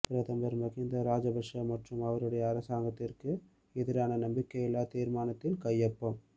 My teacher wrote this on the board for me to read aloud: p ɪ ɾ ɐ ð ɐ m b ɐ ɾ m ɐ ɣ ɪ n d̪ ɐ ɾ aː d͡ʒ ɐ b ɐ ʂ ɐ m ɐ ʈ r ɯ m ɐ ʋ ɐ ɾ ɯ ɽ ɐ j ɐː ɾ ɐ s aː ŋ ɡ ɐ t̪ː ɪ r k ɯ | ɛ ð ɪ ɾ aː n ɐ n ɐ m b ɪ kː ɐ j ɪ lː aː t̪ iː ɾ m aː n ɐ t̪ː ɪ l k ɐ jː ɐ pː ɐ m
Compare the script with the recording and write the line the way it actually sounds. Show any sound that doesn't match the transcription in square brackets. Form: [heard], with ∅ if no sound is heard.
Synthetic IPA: p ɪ ɾ ɐ ð ɐ m b ɐ ɾ m ɐ ɣ ɪ n d̪ ɐ ɾ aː d͡ʒ ɐ b ɐ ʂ ɐ m ɐ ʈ r ɯ m ɐ ʋ ɐ ɾ ɯ ɽ ɐ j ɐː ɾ ɐ s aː ŋ ɡ ɐ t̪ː ɪ r k ɯ | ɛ ð ɪ ɾ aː n ɐ n ɐ m b ɪ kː ɐ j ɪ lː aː t̪ iː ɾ m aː n ɐ t̪ː ɪ l k ɐ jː ɐ pː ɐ m